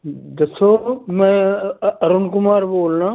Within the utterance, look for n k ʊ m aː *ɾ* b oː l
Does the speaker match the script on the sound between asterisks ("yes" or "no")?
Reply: yes